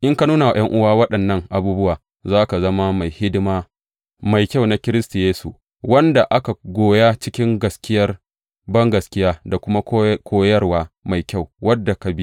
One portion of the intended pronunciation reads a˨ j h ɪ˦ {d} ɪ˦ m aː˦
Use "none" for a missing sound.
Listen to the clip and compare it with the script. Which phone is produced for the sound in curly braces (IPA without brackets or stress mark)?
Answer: d